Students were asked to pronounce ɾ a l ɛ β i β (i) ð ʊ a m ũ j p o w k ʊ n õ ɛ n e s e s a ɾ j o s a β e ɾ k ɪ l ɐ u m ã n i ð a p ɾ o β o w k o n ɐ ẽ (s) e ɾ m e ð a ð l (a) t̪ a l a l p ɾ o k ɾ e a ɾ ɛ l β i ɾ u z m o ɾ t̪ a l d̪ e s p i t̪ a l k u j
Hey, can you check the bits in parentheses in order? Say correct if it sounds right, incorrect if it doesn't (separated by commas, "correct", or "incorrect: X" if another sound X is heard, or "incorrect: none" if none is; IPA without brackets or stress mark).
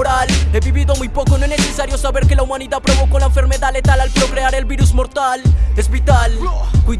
correct, incorrect: f, incorrect: e